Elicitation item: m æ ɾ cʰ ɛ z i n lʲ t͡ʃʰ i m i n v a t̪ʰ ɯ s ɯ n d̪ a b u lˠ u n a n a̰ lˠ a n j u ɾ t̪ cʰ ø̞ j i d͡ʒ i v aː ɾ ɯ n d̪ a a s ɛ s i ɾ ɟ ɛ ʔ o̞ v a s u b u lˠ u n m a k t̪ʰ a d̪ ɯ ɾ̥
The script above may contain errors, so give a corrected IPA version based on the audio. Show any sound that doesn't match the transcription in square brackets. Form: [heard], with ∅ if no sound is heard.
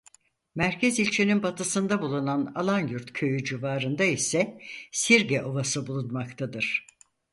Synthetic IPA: m æ ɾ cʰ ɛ z i [∅] lʲ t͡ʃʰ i [n] i n [b] a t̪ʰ ɯ s ɯ n d̪ a b u lˠ u n a n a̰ lˠ a n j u ɾ t̪ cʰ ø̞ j [y] d͡ʒ i v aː ɾ ɯ n d̪ a [i] s ɛ s i ɾ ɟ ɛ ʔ o̞ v a s [ɯ] b u lˠ u n m a k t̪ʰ a d̪ ɯ ɾ̥